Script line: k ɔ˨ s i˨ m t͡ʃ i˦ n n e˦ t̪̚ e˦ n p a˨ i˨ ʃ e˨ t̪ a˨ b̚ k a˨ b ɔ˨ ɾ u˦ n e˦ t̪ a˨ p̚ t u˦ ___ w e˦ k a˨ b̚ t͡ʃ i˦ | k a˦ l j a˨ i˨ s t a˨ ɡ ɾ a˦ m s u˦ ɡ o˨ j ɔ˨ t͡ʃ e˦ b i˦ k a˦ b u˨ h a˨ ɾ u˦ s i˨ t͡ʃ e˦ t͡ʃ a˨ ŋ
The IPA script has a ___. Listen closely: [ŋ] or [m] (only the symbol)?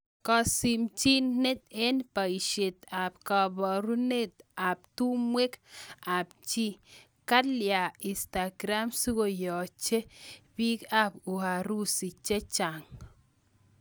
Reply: m